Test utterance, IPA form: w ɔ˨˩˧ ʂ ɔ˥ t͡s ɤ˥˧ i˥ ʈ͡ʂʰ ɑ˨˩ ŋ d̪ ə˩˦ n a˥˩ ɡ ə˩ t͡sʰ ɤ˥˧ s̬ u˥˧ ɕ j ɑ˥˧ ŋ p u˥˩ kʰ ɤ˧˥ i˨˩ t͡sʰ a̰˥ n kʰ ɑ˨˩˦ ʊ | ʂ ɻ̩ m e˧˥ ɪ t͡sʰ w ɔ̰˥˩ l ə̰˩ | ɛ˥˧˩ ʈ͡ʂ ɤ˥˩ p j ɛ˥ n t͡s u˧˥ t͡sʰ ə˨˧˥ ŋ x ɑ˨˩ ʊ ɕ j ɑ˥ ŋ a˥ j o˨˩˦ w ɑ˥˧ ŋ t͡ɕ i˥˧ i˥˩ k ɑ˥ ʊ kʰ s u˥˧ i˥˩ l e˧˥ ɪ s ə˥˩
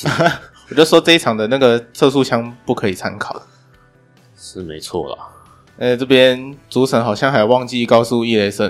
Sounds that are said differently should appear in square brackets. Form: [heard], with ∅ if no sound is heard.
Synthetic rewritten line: w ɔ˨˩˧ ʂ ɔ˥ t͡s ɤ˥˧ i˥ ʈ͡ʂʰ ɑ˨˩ ŋ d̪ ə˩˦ n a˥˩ ɡ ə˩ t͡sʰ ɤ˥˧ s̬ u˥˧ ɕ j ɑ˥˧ ŋ p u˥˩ kʰ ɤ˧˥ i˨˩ t͡sʰ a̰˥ n kʰ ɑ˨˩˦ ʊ | ʂ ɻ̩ m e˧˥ ɪ t͡sʰ w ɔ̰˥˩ l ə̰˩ | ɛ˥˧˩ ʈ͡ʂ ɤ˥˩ p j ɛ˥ n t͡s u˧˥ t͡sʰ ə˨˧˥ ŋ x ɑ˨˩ ʊ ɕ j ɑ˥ ŋ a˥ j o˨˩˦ w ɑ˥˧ ŋ t͡ɕ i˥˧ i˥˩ k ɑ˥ ʊ [∅] s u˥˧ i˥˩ l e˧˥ ɪ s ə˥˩